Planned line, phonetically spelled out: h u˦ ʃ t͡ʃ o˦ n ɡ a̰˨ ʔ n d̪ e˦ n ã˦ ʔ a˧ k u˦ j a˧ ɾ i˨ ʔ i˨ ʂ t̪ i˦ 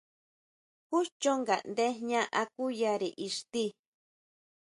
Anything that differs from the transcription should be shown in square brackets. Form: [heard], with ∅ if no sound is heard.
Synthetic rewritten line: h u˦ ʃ t͡ʃ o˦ [ŋ] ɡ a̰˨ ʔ n d̪ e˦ [ɲ] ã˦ ʔ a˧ k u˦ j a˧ ɾ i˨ ʔ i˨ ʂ t̪ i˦